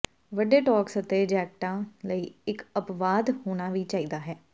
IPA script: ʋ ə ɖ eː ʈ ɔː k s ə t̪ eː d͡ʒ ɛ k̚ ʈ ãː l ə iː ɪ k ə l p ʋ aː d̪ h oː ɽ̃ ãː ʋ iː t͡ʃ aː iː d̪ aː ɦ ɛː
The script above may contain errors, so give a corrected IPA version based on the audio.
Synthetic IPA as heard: ʋ ə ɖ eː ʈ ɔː k s ə t̪ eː d͡ʒ ɛː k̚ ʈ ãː l ə iː ɪ k ə p ʋ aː d̪ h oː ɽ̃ aː ʋ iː t͡ʃ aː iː d̪ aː ɦ ɛː